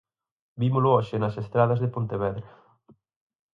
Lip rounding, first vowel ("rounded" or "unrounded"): unrounded